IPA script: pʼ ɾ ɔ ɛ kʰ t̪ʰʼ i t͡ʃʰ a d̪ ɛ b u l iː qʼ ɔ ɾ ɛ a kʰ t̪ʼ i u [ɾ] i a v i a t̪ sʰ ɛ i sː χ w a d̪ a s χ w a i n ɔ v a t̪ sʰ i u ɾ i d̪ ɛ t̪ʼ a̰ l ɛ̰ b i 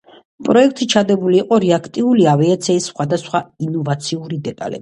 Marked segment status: incorrect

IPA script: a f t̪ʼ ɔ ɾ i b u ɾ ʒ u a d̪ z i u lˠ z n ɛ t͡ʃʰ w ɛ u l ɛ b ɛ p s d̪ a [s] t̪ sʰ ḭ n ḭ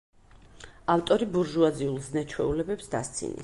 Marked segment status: correct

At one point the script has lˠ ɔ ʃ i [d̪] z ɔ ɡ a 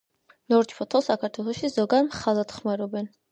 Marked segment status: incorrect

